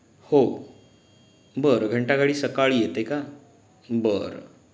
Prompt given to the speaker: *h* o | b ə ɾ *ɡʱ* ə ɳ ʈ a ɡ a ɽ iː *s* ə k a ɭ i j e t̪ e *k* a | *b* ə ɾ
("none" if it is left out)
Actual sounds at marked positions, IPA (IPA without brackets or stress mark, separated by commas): h, ɡʱ, s, k, b